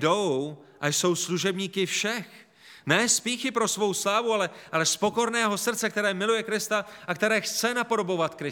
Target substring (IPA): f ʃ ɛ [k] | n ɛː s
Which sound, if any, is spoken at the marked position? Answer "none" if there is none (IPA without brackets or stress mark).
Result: x